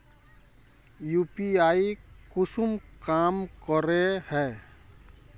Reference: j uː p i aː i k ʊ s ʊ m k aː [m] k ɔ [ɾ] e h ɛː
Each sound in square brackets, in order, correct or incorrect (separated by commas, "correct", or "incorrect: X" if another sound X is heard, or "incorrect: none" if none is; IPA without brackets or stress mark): correct, correct